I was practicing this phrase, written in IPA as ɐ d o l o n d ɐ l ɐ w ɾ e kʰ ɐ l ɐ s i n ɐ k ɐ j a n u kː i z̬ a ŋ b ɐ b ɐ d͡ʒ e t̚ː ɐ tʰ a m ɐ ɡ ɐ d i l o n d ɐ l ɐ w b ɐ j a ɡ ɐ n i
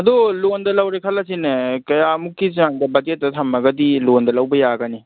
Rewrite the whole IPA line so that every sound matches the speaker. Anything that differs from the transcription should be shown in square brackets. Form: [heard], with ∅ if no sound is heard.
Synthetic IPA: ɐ d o l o n d ɐ l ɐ w ɾ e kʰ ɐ l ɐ s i n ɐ k ɐ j a [m] u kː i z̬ a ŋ [d] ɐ b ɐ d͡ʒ e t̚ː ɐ tʰ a m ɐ ɡ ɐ d i l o n d ɐ l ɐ w b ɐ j a ɡ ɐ n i